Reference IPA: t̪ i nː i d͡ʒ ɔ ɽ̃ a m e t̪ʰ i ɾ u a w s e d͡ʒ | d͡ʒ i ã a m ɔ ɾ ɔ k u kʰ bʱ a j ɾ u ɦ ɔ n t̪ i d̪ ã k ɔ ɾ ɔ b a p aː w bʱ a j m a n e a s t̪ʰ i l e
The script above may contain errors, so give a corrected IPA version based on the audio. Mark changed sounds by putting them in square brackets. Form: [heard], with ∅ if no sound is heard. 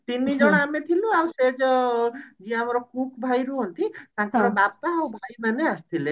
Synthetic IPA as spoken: t̪ i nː i d͡ʒ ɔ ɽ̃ a m e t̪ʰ i [l] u a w s e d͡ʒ | d͡ʒ i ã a m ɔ ɾ ɔ k u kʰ bʱ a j ɾ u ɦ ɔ n t̪ i [t̪] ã k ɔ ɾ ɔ b a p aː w bʱ a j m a n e a s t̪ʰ i l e